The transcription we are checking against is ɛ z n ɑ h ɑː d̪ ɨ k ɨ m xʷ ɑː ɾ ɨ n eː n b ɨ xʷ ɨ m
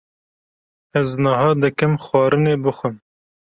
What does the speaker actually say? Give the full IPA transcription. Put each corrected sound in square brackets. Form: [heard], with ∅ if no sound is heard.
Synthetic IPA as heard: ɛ z n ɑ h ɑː d̪ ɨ k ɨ m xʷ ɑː ɾ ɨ n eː [∅] b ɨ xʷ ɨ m